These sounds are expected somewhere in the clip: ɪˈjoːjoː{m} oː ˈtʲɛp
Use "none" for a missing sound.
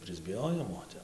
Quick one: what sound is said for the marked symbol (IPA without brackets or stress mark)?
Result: m